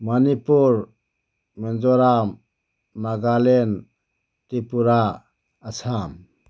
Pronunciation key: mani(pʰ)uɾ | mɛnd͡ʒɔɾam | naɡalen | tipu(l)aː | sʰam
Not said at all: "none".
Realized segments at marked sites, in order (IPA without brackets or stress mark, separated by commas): p, ɾ